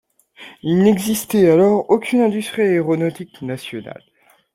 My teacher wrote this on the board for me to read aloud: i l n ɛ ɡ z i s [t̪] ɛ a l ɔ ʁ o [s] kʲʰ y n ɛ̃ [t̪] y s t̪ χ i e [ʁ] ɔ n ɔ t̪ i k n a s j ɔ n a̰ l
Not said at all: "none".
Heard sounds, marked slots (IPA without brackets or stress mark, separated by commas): t̪, none, d̪, ʁ